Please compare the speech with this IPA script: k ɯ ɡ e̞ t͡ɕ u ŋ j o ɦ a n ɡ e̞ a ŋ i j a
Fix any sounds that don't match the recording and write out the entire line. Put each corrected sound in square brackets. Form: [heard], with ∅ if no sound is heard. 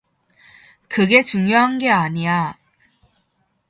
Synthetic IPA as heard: k ɯ ɡ e̞ t͡ɕ u ŋ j o ɦ a n ɡ e̞ a [ɲ] i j a